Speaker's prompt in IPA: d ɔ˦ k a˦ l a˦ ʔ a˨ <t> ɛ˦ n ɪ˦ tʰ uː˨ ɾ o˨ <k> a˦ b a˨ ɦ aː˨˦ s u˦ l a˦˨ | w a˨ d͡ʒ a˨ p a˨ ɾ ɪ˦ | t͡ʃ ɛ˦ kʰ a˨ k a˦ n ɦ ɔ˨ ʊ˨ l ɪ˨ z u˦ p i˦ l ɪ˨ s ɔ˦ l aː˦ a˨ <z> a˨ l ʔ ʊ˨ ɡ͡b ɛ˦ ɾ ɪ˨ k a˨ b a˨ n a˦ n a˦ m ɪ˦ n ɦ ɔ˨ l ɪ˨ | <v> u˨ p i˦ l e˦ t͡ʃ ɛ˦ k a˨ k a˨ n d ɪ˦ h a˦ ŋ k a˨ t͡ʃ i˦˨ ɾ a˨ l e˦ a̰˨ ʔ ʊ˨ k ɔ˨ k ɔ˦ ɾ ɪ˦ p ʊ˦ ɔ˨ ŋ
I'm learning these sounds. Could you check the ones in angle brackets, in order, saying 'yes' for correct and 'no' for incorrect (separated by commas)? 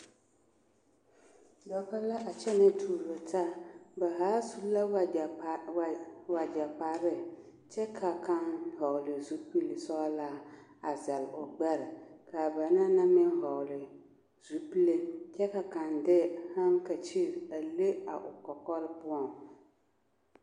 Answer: no, no, yes, no